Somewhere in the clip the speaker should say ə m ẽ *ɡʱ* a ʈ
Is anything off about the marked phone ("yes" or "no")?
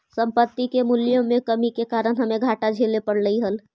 no